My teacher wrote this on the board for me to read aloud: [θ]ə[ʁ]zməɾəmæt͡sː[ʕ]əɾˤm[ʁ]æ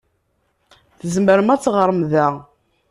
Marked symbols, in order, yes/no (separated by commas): yes, no, no, no